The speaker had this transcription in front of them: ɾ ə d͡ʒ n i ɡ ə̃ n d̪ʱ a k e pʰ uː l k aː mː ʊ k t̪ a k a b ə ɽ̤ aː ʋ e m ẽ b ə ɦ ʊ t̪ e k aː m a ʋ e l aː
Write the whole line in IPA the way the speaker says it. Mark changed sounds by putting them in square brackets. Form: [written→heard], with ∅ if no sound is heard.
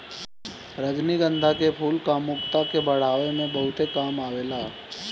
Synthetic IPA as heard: ɾ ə d͡ʒ n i ɡ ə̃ n d̪ʱ a k e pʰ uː l k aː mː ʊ k t̪ a k [a→e] b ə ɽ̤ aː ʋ e m ẽ b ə ɦ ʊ t̪ e k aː m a ʋ e l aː